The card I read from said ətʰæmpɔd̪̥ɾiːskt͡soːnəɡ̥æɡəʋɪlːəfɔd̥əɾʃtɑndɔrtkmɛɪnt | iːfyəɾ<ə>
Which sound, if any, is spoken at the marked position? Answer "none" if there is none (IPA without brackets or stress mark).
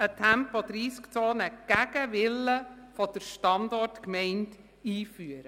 ə